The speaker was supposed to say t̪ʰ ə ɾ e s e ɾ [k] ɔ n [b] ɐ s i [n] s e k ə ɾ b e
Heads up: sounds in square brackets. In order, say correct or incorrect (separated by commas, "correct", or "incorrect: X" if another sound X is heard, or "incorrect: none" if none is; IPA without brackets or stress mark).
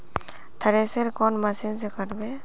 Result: correct, incorrect: m, correct